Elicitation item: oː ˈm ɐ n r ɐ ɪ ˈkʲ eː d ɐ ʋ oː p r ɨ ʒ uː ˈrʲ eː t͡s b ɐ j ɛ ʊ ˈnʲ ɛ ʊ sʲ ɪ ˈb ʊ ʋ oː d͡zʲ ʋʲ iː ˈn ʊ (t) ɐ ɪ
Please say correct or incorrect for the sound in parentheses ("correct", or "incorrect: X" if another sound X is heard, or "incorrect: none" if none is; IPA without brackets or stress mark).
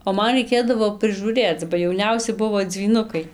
incorrect: k